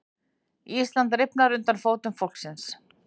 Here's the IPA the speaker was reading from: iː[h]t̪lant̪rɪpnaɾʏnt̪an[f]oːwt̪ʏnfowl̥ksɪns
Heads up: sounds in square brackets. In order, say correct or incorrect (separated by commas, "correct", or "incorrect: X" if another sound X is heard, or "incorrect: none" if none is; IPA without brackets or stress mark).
incorrect: s, correct